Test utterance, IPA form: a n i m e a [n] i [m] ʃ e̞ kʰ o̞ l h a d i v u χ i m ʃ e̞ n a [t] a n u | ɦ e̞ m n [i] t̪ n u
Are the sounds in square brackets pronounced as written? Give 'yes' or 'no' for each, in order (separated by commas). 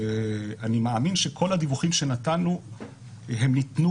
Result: no, no, yes, yes